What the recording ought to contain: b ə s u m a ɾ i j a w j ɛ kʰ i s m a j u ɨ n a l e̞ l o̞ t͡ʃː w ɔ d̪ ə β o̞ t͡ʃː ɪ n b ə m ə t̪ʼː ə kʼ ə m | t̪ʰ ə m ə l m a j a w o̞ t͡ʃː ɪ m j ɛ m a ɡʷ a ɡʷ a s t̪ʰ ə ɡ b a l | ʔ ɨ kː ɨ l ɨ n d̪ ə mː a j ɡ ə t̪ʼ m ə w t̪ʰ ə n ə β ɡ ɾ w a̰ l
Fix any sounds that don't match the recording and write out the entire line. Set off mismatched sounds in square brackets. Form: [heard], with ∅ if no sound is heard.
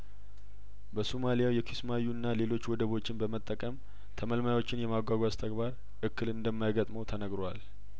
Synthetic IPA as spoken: b ə s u m a [l] i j a w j ɛ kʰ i s m a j u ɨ [nː] a l e̞ l o̞ t͡ʃː w ɔ d̪ ə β o̞ t͡ʃː ɪ n b ə m ə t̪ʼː ə kʼ ə m | t̪ʰ ə m ə l m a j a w o̞ t͡ʃː ɪ [n] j ɛ m a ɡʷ a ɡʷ a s t̪ʰ ə ɡ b a [ɾ] | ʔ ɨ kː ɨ l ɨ n d̪ ə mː a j ɡ ə t̪ʼ m ə w t̪ʰ ə n ə [∅] ɡ ɾ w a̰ l